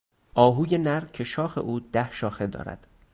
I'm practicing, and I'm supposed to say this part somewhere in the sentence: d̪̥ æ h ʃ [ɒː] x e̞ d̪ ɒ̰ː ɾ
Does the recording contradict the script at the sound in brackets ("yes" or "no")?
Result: no